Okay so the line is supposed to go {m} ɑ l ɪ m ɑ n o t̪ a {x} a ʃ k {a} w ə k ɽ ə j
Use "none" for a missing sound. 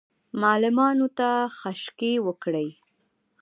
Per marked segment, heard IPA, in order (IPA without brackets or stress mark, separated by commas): m, x, e